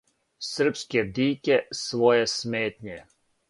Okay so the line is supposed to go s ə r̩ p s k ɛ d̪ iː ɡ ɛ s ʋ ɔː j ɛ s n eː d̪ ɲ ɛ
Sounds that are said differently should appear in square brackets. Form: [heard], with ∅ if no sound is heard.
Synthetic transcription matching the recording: s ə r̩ p s k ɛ d̪ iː [k] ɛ s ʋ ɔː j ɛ s [m] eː [t̪] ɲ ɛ